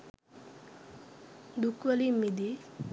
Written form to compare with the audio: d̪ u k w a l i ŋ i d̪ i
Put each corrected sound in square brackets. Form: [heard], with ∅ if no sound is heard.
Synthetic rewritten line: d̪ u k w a l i [m] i d̪ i

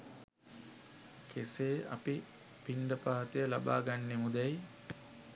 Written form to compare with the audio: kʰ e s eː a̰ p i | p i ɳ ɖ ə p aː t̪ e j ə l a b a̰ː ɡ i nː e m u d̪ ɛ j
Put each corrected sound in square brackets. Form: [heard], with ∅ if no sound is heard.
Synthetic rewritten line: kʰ e s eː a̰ p i | p i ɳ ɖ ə p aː t̪ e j ə l a b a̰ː ɡ [a] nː e m u d̪ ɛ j

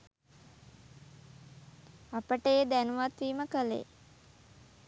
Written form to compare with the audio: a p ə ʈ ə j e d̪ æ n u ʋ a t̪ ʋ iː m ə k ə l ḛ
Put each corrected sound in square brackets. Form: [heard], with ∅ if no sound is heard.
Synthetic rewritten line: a p ə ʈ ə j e d̪ æ n u ʋ a t̪ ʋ iː m ə k ə l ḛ

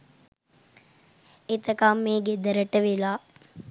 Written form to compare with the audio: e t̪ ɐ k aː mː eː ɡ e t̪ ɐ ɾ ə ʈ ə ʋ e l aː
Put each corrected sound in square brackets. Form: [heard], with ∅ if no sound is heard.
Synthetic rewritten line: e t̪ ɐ k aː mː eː ɡ e [d̪] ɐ ɾ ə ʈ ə ʋ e l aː

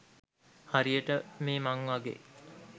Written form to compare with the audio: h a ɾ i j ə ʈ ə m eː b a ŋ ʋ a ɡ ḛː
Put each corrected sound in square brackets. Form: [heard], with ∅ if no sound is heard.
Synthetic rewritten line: h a ɾ i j ə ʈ ə m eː [m] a ŋ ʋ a ɡ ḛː

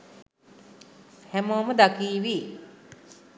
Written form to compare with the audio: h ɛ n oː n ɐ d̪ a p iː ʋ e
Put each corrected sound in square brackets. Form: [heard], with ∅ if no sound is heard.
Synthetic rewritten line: h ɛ [m] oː [m] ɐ d̪ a [k] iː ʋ [i]

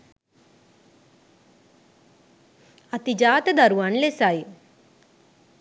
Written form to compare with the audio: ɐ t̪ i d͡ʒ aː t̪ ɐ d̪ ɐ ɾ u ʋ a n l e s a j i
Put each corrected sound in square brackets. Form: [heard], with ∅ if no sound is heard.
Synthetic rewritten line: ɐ t̪ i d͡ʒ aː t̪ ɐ d̪ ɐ ɾ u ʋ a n l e s a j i

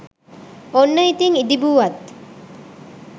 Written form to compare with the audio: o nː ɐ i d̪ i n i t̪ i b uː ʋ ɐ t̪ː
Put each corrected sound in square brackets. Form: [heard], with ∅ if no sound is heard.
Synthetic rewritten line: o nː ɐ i [t̪] i [ŋ] i [d̪] i b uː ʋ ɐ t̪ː

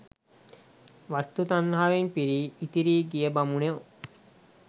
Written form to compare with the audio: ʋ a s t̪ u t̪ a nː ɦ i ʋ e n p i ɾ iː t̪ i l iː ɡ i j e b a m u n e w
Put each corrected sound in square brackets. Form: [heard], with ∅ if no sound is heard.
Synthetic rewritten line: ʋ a s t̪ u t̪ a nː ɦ [a] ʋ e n p i ɾ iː t̪ i [ɾ] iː ɡ i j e b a m u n e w

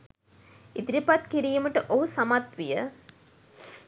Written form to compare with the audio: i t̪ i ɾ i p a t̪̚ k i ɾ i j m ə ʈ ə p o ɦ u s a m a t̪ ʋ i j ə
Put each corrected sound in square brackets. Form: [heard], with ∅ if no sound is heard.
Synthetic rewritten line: i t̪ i ɾ i p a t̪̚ k i ɾ i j m ə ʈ ə [ʔ] o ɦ u s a m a t̪ ʋ i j ə

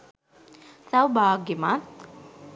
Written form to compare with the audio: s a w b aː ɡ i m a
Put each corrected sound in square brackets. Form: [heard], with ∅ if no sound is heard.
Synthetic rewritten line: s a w b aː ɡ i m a

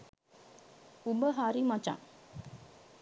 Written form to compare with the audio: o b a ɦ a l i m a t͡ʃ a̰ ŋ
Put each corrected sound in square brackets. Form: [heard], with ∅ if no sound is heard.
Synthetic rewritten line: [u] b [ə] ɦ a [ɾ] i m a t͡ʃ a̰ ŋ

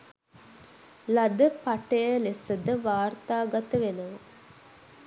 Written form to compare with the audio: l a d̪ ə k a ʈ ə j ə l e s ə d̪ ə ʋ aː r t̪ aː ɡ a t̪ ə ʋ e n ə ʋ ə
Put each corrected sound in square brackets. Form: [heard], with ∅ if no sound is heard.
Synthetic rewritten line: l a d̪ ə [p] a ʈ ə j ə l e s ə d̪ ə ʋ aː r t̪ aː ɡ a t̪ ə ʋ e n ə ʋ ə

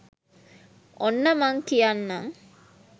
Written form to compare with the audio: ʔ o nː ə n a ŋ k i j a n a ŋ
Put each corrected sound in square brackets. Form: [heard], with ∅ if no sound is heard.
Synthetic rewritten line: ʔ o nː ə [m] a ŋ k i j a [nː] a ŋ

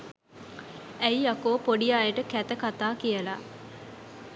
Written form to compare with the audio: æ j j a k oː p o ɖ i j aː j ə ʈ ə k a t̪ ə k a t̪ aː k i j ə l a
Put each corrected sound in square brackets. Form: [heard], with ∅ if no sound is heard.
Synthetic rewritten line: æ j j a k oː p o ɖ i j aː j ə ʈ ə k [æ] t̪ ə k a t̪ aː k i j ə l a

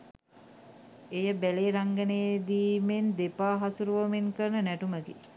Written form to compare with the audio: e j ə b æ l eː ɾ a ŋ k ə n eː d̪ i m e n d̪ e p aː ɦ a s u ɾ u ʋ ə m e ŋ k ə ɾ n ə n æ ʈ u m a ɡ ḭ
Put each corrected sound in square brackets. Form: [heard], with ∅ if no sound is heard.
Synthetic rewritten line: e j ə b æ l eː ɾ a ŋ [ɡ] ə n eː d̪ [iː] m e n d̪ e p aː ɦ a s u ɾ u ʋ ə m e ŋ k ə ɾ n ə n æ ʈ u m [ə] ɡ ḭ

